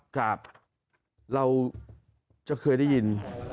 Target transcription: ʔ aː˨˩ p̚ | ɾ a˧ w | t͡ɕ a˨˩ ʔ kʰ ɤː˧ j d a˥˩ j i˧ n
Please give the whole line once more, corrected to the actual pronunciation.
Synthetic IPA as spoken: k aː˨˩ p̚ | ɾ a˧ w | t͡ɕ a˨˩ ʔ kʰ ɤː˧ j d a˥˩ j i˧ n